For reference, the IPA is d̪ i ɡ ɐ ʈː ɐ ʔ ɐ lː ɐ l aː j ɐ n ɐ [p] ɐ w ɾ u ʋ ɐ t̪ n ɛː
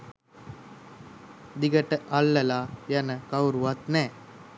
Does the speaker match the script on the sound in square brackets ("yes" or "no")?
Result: no